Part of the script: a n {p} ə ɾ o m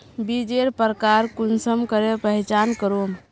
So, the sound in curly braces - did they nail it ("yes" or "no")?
no